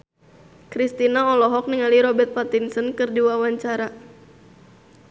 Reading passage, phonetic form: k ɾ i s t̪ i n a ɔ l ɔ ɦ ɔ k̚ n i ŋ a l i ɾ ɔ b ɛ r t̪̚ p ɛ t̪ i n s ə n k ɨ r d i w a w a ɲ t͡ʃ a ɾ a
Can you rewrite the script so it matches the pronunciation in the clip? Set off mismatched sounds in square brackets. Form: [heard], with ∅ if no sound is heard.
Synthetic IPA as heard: k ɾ i s t̪ i n a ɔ l ɔ ɦ ɔ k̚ n i ŋ a l i ɾ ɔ b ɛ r t̪̚ p [a] t̪ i n s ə n k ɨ r d i w a w a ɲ t͡ʃ a ɾ a